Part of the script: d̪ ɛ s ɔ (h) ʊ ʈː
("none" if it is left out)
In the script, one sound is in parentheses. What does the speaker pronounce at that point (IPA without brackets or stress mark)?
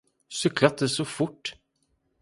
f